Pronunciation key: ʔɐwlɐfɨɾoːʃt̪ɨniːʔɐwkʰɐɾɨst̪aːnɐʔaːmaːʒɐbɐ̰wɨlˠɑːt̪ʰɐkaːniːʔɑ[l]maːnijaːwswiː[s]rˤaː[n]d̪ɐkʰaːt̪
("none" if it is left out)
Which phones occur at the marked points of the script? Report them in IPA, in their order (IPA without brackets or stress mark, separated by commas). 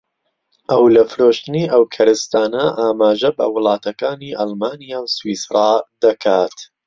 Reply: l, s, none